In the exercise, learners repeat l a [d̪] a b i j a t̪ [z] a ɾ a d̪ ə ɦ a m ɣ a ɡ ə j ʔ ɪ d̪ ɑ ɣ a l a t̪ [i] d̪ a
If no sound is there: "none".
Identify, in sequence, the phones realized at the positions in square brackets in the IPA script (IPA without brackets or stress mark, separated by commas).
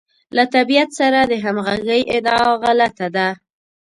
t̪, s, a